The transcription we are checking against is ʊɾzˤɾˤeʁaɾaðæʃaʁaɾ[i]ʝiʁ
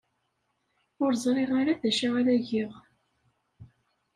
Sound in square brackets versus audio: incorrect: æ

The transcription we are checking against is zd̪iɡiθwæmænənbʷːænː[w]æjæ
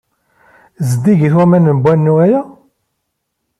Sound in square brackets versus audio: incorrect: u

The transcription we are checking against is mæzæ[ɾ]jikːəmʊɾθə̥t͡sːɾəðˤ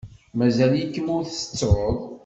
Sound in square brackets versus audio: incorrect: l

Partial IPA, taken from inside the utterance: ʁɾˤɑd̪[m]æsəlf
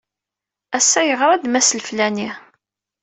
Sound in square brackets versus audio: correct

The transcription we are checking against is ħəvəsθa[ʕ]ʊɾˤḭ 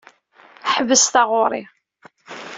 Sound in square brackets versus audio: incorrect: ʁ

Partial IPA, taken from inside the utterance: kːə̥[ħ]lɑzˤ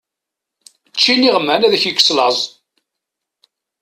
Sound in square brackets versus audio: incorrect: s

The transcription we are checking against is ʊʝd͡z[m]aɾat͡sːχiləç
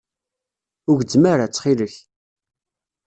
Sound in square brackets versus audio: correct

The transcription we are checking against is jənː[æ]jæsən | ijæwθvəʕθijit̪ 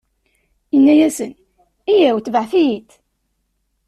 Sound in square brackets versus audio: correct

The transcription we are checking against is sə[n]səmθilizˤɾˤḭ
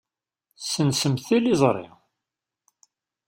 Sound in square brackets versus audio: correct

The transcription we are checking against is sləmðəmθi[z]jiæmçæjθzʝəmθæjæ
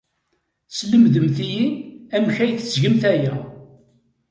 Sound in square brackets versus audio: incorrect: none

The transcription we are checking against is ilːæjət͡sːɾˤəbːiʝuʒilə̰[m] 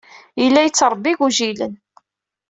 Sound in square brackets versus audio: incorrect: n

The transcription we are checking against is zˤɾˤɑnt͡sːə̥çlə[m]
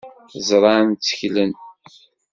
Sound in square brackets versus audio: incorrect: n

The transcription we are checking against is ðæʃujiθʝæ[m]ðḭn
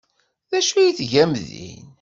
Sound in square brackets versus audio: correct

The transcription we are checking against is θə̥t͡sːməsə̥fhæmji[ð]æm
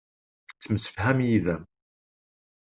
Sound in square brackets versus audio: correct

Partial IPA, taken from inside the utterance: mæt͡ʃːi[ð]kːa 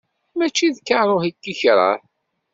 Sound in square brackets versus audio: correct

